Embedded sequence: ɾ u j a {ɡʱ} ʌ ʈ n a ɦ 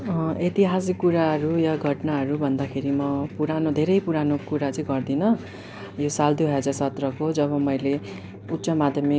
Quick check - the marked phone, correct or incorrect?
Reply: correct